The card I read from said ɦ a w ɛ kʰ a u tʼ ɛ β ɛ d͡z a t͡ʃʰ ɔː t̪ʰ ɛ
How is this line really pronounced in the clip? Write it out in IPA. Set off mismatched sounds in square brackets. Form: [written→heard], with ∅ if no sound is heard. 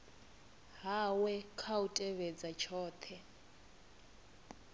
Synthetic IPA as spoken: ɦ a w ɛ kʰ a u tʼ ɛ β ɛ d͡z a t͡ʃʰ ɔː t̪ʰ ɛ